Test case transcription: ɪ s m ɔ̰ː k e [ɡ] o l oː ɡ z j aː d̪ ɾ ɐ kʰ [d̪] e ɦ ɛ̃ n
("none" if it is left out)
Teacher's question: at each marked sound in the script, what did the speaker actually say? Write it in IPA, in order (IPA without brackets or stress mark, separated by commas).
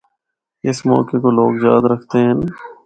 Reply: k, t̪